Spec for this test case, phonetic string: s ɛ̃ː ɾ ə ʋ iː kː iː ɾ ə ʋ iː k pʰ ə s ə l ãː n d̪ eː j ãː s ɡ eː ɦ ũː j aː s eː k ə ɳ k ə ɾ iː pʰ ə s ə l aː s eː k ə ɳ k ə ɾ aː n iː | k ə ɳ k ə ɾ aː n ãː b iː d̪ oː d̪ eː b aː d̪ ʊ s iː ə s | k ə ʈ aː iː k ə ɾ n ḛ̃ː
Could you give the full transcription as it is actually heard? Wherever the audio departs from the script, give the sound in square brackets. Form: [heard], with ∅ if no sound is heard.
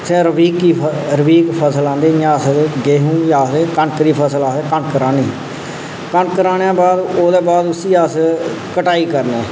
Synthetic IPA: s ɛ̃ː ɾ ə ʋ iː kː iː ɾ ə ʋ iː k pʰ ə s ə l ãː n d̪ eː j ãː s ɡ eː ɦ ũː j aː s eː k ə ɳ k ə ɾ iː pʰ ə s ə l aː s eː k ə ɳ k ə ɾ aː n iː | k ə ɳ k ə ɾ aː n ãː b [aː] d̪ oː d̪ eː b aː d̪ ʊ s iː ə s | k ə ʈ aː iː k ə ɾ n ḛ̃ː